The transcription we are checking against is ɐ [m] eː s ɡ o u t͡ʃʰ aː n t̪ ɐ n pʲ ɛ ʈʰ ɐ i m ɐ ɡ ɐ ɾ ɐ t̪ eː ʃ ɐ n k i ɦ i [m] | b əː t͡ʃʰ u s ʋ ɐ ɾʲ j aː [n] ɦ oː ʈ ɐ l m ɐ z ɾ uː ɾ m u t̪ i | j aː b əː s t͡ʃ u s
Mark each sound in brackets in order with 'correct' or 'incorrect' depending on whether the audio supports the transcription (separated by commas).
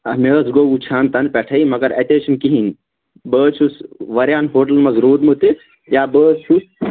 correct, incorrect, correct